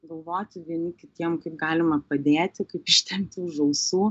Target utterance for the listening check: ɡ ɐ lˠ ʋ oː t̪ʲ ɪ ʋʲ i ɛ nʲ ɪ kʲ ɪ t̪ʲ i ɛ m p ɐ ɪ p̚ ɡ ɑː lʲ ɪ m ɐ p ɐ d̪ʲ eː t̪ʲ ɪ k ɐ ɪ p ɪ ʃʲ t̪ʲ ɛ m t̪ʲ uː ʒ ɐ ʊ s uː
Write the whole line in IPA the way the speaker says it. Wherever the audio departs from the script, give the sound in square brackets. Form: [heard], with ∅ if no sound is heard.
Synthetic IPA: ɡ ɐ lˠ ʋ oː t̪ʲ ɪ ʋʲ i ɛ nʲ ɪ kʲ ɪ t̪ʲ i ɛ m [k] ɐ ɪ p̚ ɡ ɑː lʲ ɪ m ɐ p ɐ d̪ʲ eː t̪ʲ ɪ k ɐ ɪ p ɪ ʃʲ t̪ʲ ɛ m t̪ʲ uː ʒ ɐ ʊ s uː

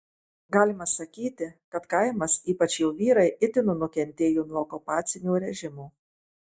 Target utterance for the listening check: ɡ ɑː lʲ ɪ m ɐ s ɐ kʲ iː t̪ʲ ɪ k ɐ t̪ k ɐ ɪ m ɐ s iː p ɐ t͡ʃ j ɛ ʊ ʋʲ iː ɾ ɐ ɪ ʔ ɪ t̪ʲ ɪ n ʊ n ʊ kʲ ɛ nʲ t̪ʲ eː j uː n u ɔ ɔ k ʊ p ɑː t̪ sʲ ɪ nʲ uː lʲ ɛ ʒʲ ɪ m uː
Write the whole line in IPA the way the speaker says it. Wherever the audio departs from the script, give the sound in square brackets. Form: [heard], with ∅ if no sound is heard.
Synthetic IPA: ɡ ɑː lʲ ɪ m ɐ s ɐ kʲ iː t̪ʲ ɪ k ɐ t̪ k ɐ ɪ m ɐ s iː p ɐ t͡ʃ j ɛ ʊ ʋʲ iː ɾ ɐ ɪ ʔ ɪ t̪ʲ ɪ n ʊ n ʊ kʲ ɛ nʲ t̪ʲ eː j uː n u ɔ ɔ k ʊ p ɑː t̪ sʲ ɪ nʲ uː [ɾʲ] ɛ ʒʲ ɪ m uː

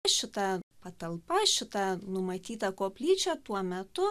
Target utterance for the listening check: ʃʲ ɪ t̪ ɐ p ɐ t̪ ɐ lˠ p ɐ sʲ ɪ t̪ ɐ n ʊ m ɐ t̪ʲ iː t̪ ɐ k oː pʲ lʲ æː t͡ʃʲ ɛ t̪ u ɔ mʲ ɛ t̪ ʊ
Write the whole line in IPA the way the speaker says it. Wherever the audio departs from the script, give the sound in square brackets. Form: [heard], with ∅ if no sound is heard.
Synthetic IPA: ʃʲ ɪ t̪ ɐ p ɐ t̪ ɐ lˠ p ɐ [ʃʲ] ɪ t̪ ɐ n ʊ m ɐ t̪ʲ iː t̪ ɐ k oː pʲ lʲ [iː] t͡ʃʲ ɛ t̪ u ɔ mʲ ɛ t̪ ʊ

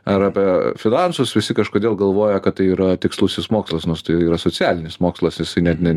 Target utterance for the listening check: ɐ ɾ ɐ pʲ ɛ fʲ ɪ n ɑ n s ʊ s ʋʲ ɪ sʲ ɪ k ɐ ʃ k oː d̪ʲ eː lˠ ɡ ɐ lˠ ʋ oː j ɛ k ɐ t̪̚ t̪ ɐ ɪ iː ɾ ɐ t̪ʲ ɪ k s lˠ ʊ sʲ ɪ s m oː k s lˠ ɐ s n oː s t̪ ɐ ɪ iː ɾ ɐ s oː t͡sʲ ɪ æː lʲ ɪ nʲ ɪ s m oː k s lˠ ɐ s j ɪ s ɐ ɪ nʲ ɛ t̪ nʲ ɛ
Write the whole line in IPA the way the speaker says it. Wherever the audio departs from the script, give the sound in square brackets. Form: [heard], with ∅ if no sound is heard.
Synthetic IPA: ɐ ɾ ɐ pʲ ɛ fʲ ɪ n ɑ n s ʊ s ʋʲ ɪ sʲ ɪ k ɐ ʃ k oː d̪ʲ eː lˠ ɡ ɐ lˠ ʋ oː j ɛ k ɐ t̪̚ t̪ ɐ ɪ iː ɾ ɐ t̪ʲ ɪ k s lˠ ʊ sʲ ɪ s m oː k s lˠ ɐ s n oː s t̪ ɐ ɪ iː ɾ ɐ s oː t͡sʲ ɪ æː lʲ ɪ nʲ ɪ s m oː k s lˠ ɐ s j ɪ s ɐ ɪ nʲ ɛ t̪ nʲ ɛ

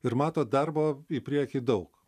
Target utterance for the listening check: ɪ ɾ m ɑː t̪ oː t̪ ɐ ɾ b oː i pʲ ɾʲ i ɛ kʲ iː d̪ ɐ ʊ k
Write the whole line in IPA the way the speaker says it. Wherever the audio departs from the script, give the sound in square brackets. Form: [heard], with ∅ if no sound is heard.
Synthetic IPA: ɪ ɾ m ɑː t̪ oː [d̪] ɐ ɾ b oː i pʲ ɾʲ i ɛ kʲ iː d̪ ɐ ʊ k

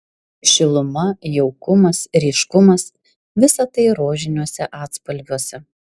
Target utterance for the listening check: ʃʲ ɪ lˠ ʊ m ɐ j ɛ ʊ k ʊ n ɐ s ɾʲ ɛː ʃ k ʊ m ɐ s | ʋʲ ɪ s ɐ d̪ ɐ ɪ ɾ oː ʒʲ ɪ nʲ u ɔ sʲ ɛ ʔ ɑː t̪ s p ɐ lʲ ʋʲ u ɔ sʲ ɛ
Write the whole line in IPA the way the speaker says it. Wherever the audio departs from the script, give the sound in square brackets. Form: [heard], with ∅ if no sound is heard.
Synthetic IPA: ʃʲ ɪ lˠ ʊ m ɐ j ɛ ʊ k ʊ [m] ɐ s ɾʲ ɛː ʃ k ʊ m ɐ s | ʋʲ ɪ s ɐ [t̪] ɐ ɪ ɾ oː ʒʲ ɪ nʲ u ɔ sʲ ɛ ʔ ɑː t̪ s p ɐ lʲ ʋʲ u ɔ sʲ ɛ

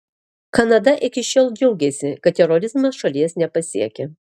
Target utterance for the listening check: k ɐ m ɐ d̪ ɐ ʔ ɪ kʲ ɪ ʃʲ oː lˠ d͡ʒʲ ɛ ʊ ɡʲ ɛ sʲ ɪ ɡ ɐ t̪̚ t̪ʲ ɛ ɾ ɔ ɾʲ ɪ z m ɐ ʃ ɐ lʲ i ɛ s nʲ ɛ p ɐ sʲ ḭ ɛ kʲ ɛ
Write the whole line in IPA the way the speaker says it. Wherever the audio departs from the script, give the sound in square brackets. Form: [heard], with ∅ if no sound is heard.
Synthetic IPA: k ɐ [n] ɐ d̪ ɐ ʔ ɪ kʲ ɪ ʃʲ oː lˠ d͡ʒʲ ɛ ʊ ɡʲ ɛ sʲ ɪ [k] ɐ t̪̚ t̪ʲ ɛ ɾ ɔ ɾʲ ɪ z m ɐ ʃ ɐ lʲ i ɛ s nʲ ɛ p ɐ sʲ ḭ ɛ kʲ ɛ

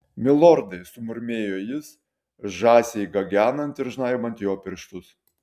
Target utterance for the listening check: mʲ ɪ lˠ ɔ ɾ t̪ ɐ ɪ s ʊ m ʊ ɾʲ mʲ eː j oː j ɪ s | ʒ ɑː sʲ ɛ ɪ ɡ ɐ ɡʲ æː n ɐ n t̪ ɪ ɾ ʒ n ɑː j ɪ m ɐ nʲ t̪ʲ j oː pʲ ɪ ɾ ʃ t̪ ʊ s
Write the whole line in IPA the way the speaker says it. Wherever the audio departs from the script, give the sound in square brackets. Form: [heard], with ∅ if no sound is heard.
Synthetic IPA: mʲ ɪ lˠ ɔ ɾ [d̪] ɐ ɪ s ʊ m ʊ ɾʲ mʲ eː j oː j ɪ s | ʒ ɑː sʲ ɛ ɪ ɡ ɐ ɡʲ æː n ɐ n t̪ ɪ ɾ ʒ n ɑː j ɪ m ɐ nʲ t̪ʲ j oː pʲ ɪ ɾ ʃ t̪ ʊ s

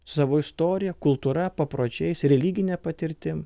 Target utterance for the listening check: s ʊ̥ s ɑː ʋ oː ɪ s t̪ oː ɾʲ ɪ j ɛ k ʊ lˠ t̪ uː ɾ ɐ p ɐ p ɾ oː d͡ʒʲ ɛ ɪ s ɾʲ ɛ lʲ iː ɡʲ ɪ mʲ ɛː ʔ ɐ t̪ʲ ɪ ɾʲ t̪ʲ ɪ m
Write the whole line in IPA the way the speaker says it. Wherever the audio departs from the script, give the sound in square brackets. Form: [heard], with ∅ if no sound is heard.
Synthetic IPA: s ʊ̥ s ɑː ʋ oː ɪ s t̪ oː ɾʲ ɪ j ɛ k ʊ lˠ t̪ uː ɾ ɐ p ɐ p ɾ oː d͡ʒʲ ɛ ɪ s ɾʲ ɛ lʲ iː ɡʲ ɪ [nʲ] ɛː [p] ɐ t̪ʲ ɪ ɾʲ t̪ʲ ɪ m

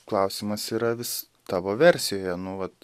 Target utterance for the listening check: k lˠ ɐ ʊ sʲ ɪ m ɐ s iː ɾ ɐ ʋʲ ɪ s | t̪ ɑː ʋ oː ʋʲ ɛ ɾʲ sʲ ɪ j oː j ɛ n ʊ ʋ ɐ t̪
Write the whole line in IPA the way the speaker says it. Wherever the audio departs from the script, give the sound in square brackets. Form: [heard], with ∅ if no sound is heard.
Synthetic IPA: k lˠ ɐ ʊ sʲ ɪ m ɐ s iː ɾ ɐ ʋʲ ɪ s | t̪ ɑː ʋ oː ʋʲ ɛ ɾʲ sʲ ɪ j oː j ɛ n ʊ ʋ ɐ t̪

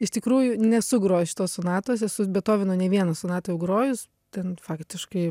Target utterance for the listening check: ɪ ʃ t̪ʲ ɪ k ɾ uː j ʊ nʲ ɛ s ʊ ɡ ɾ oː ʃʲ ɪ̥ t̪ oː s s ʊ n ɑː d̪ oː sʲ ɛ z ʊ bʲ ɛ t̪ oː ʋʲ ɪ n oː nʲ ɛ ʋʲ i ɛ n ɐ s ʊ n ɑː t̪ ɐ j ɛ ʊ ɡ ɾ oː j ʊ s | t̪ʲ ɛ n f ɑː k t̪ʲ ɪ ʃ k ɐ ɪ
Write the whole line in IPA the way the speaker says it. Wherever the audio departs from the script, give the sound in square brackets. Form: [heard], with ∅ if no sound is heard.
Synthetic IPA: ɪ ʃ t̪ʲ ɪ k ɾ uː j ʊ nʲ ɛ s ʊ ɡ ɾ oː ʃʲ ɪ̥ t̪ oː s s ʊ n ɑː [t̪] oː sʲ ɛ [s] ʊ bʲ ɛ t̪ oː ʋʲ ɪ n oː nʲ ɛ ʋʲ i ɛ n ɐ s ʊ n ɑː t̪ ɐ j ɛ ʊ ɡ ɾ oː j ʊ s | t̪ʲ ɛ n f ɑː k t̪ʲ ɪ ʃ k ɐ ɪ

